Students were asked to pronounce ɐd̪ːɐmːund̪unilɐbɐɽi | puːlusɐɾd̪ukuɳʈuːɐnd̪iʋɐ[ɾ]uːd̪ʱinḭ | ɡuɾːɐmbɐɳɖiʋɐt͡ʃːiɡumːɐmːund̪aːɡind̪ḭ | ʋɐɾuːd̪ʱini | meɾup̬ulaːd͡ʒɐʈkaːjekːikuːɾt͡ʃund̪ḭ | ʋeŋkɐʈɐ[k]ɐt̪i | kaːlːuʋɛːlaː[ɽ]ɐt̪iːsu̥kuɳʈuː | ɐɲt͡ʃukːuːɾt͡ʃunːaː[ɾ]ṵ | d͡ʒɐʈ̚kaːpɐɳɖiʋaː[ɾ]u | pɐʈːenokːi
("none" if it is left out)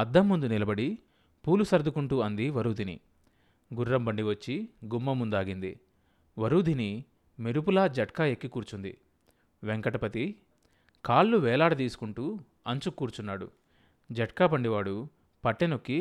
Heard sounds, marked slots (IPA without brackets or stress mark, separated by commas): ɾ, p, ɽ, ɽ, ɽ